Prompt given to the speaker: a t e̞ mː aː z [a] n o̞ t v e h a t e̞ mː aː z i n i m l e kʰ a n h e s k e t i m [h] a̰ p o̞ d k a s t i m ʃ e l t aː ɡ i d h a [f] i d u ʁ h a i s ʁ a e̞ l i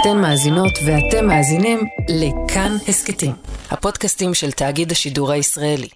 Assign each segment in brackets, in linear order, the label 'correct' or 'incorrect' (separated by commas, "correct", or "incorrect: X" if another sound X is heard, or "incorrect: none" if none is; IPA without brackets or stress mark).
incorrect: i, correct, incorrect: ʃ